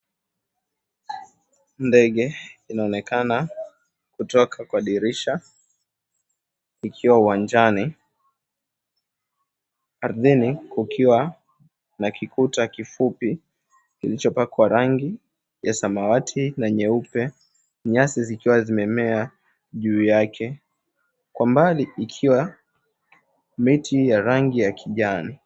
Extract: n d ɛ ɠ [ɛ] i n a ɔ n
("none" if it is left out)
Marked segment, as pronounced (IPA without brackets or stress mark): ɛ